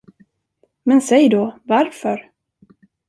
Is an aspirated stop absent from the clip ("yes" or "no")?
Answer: yes